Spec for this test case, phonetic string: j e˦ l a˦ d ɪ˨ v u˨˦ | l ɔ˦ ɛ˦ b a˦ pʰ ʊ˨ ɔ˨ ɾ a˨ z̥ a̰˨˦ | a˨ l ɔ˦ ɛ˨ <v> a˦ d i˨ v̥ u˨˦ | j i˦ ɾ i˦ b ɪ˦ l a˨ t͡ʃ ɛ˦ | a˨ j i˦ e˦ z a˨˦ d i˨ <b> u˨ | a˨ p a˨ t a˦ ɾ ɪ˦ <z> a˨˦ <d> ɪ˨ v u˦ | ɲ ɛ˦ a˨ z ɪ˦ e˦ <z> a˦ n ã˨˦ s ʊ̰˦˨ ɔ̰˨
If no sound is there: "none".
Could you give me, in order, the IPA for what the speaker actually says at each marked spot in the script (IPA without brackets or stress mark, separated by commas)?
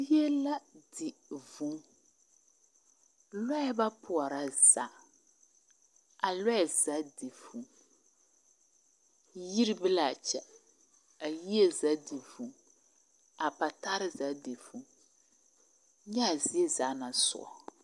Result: z, v, z, d, z